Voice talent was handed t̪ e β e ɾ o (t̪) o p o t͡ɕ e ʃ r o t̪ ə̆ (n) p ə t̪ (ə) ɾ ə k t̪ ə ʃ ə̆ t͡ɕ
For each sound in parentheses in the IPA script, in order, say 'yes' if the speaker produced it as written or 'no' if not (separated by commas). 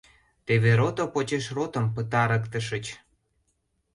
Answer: yes, no, no